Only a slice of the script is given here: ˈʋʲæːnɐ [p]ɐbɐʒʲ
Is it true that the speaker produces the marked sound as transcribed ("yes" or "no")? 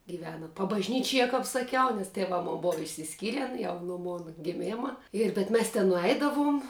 yes